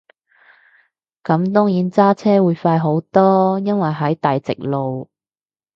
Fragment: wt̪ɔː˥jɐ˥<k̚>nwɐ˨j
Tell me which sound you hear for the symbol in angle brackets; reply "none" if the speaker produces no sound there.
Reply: none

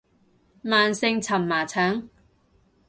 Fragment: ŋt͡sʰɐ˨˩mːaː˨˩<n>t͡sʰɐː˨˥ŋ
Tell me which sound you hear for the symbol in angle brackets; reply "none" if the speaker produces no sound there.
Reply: none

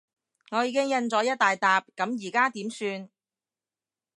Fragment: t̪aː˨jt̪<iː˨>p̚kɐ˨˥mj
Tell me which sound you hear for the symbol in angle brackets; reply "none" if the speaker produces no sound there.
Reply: aː˨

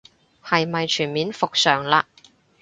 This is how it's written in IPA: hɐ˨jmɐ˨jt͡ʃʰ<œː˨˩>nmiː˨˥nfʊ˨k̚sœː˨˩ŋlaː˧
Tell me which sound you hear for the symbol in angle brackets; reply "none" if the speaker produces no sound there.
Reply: yː˨˩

